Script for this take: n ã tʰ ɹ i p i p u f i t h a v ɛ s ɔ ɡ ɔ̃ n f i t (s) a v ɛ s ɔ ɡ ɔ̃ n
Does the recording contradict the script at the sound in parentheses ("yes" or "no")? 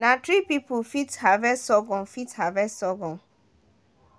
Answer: yes